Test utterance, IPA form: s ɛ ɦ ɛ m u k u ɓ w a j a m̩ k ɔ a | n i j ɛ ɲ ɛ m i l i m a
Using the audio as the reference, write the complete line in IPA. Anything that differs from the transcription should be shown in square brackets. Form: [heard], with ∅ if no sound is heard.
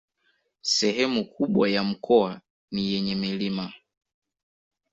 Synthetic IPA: s ɛ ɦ ɛ m u k u ɓ w a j a m̩ k ɔ a | n i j ɛ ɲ ɛ m i l i m a